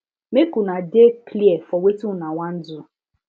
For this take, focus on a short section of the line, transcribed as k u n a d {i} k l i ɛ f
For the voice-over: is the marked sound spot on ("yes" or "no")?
no